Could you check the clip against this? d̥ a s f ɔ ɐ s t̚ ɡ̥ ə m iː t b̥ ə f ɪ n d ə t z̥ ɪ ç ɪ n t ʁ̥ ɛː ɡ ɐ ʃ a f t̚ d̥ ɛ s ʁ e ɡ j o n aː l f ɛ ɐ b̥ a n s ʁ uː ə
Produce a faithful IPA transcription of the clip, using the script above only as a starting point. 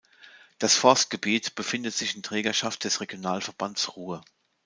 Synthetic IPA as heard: d̥ a s f ɔ ɐ s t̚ ɡ̥ ə b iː t b̥ ə f ɪ n d ə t z̥ ɪ ç ɪ n t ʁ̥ ɛː ɡ ɐ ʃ a f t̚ d̥ ɛ s ʁ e ɡ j o n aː l f ɛ ɐ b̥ a n s ʁ uː ə